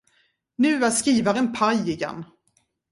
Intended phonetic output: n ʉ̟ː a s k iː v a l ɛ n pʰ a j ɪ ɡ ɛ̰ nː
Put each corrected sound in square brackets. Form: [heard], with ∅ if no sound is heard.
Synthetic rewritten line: n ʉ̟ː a s k iː v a [ɾ] ɛ n pʰ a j ɪ ɡ ɛ̰ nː